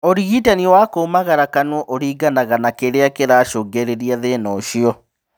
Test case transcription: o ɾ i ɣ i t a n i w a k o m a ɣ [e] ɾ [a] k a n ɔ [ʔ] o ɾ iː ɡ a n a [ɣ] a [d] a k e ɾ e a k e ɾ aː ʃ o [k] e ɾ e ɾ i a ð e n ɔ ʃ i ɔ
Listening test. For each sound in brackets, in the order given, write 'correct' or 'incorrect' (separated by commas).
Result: incorrect, correct, correct, correct, incorrect, incorrect